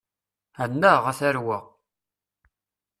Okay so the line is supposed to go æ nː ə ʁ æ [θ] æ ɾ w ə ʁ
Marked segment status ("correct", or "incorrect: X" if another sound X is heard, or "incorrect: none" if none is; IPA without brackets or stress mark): correct